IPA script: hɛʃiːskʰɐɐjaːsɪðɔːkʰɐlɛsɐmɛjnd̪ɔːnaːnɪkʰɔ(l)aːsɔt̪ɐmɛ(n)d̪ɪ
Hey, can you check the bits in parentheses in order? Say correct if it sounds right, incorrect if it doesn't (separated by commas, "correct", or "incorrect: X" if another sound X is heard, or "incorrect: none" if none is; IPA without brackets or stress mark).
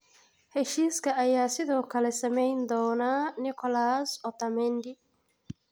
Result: correct, correct